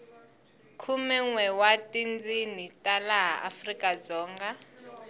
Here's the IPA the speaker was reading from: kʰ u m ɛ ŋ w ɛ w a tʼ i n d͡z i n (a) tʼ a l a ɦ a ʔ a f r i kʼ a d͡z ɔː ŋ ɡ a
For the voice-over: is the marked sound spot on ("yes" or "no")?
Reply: no